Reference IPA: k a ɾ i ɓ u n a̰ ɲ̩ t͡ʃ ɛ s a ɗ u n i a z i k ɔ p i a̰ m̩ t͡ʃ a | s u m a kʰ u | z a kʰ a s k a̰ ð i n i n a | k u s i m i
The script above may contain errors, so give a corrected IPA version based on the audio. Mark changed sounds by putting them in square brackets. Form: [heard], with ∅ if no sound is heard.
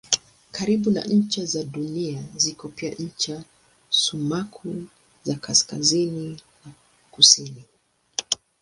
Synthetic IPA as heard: k a ɾ i ɓ u n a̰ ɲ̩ t͡ʃ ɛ [z] a ɗ u n i a z i k ɔ p i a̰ [ɲ̩] t͡ʃ a | s u m a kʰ u | z a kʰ a s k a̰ [z] i n i n a | k u s i [n] i